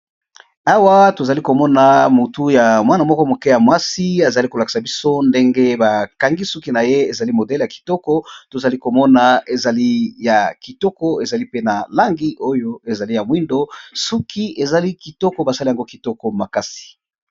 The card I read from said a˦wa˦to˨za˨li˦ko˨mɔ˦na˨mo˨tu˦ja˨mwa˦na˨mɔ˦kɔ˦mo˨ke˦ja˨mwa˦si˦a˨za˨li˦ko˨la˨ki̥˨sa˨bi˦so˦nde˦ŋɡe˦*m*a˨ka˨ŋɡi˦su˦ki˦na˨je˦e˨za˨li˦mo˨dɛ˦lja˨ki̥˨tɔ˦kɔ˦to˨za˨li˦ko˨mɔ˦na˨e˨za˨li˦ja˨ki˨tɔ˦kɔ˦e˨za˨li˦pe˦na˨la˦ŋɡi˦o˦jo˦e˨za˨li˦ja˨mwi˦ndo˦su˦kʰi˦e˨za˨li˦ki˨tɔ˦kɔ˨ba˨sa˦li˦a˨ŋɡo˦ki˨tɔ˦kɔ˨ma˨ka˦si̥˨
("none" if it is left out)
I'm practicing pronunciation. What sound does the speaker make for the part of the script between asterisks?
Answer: b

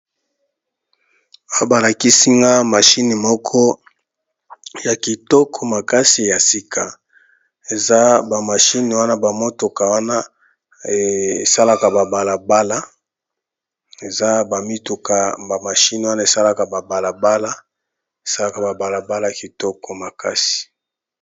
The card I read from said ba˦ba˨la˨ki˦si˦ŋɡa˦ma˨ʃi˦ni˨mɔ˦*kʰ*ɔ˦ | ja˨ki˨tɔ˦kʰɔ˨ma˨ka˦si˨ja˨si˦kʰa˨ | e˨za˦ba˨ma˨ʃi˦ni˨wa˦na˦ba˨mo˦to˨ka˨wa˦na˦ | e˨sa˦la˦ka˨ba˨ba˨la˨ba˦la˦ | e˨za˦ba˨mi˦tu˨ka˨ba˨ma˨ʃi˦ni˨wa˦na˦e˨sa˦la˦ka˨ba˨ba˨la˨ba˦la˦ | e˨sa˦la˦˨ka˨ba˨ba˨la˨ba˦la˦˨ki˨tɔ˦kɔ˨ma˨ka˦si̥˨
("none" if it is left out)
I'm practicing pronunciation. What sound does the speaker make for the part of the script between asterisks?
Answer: kʰ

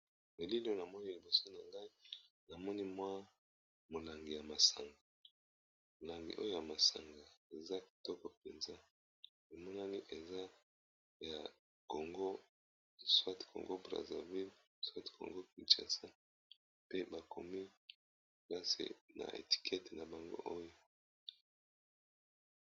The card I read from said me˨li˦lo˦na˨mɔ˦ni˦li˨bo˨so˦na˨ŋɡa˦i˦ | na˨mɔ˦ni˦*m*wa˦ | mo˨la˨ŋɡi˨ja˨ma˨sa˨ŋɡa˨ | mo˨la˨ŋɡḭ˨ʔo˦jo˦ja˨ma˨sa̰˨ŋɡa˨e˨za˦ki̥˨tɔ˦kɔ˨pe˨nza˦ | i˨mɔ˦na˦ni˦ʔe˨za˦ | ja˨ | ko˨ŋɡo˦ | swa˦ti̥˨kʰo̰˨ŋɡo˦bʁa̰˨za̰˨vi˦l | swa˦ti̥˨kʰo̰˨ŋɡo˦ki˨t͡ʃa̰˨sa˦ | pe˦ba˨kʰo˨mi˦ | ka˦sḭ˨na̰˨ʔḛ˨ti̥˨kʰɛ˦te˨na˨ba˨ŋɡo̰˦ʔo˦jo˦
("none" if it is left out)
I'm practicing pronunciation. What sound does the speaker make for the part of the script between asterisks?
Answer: m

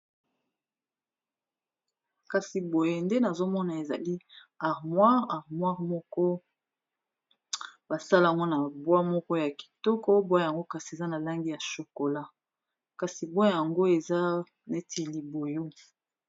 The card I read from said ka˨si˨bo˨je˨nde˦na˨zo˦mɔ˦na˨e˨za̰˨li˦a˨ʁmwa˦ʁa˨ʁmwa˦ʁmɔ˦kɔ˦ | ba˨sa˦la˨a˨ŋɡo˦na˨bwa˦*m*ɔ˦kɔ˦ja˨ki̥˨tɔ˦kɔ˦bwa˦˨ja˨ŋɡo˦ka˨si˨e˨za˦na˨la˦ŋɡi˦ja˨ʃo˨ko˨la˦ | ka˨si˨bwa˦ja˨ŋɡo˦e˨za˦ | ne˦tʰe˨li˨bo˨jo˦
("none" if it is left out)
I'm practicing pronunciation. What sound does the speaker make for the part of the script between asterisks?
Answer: m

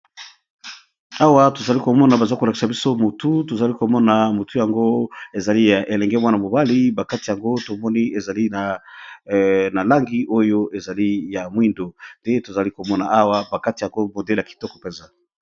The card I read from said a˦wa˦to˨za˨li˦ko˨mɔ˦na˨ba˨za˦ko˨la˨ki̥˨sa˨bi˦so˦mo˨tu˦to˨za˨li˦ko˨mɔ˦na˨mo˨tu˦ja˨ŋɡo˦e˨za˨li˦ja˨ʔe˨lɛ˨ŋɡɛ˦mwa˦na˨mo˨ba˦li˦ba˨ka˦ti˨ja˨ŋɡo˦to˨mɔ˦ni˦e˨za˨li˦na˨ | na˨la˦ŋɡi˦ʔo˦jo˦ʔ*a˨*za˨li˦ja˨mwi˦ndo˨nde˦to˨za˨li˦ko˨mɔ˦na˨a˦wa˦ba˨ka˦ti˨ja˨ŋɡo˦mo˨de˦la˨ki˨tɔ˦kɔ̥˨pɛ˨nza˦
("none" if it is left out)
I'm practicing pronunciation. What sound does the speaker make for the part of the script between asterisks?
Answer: e˨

